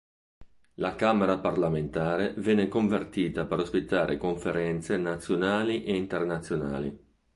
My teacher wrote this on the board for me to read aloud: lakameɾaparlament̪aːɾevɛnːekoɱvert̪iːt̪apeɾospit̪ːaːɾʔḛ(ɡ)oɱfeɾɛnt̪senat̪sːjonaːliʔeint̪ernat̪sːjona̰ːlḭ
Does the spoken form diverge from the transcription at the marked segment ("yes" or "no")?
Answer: yes